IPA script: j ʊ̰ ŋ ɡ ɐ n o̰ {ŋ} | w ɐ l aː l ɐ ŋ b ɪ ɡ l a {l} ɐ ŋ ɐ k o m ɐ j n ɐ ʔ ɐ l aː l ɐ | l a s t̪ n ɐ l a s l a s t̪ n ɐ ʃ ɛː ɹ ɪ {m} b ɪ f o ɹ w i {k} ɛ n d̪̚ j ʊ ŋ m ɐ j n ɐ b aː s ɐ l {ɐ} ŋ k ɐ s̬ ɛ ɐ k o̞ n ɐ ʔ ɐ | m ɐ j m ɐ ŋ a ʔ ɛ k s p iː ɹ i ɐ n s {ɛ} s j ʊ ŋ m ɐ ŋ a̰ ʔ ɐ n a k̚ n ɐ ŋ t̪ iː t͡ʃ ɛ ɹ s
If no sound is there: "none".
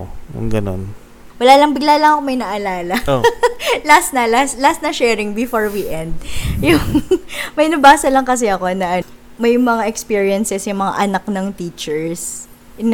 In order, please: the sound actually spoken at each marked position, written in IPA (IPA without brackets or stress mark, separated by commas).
n, l, ŋ, ʔ, ɐ, ɛ